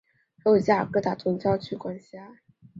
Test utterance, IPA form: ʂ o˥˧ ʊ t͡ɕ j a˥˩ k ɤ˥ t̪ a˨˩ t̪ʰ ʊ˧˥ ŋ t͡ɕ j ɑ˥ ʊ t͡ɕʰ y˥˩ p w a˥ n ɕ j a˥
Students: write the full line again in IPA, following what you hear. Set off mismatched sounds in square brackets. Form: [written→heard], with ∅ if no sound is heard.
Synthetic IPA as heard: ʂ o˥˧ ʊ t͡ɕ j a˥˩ k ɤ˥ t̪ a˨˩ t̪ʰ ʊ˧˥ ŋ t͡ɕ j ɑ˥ ʊ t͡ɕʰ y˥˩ [p→k] w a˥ n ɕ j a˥